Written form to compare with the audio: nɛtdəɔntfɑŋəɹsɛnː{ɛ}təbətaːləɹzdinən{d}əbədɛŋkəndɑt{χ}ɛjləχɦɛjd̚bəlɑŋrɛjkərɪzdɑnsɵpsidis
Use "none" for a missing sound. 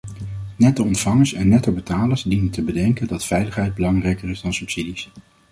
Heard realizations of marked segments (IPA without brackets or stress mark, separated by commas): ɛ, t, f